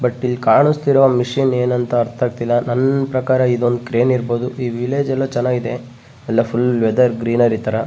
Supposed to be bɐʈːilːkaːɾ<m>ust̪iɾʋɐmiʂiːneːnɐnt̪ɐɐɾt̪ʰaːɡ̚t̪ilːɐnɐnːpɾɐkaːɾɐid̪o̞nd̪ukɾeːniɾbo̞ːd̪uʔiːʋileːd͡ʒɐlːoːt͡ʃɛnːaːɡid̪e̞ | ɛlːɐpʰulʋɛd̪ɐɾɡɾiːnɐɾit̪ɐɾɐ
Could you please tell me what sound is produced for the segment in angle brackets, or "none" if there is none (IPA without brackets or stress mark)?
ɳ